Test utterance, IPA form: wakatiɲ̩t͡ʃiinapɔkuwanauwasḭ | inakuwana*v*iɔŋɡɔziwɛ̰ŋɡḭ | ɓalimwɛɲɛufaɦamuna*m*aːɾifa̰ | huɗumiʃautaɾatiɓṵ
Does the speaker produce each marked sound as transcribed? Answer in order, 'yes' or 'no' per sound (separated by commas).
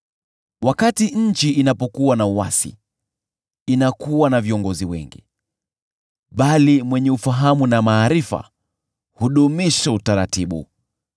yes, yes